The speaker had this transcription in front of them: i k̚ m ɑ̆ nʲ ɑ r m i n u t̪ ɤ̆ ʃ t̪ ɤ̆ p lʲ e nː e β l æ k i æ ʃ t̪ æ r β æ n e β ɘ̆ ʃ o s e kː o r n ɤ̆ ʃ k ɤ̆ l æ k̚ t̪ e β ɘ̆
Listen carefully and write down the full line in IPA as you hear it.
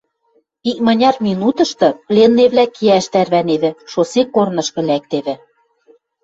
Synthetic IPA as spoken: i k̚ m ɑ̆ nʲ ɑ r m i n u t̪ ɤ̆ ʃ t̪ ɤ̆ p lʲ e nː e β l æ k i æ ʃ t̪ æ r β æ n e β ɘ̆ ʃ o s e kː o r n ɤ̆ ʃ k ɤ̆ l æ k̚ t̪ e β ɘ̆